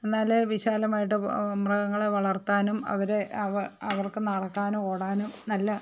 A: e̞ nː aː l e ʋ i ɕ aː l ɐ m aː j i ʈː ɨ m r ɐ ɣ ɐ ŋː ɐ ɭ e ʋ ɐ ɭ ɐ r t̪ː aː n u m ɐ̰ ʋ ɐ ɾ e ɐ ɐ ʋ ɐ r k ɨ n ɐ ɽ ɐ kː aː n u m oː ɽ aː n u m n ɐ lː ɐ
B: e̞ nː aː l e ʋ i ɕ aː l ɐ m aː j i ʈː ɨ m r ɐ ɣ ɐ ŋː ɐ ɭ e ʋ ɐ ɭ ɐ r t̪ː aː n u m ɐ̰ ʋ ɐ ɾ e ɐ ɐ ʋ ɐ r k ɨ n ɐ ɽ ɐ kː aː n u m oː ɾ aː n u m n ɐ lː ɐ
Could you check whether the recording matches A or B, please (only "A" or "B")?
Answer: A